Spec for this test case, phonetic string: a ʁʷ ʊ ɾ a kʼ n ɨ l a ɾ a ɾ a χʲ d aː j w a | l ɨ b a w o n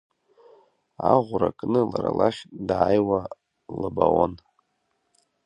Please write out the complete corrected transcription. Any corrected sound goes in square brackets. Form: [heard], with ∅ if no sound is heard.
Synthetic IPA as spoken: a ʁʷ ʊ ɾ a kʼ n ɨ l a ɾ a [l] a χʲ d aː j w a | l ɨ b a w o n